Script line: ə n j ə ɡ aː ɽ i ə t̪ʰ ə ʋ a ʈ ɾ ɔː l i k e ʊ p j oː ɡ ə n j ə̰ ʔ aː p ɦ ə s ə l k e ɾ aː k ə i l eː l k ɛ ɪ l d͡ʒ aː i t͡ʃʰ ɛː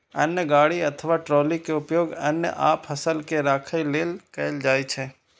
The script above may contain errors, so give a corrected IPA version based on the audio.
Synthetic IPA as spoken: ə n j ə ɡ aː ɽ i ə t̪ʰ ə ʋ a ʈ ɾ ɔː l i k e ʊ p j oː ɡ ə n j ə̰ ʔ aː p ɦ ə s ə l k e ɾ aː kʰ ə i l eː l k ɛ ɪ l d͡ʒ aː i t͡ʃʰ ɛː